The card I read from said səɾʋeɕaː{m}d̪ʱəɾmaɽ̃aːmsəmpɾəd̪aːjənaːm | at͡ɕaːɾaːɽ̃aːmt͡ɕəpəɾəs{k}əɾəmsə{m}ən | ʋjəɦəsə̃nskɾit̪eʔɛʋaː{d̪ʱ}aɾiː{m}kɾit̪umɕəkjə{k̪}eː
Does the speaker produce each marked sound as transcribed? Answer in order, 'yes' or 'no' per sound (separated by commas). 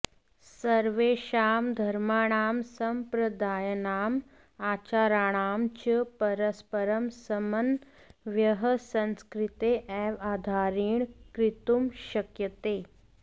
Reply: yes, no, yes, yes, no, yes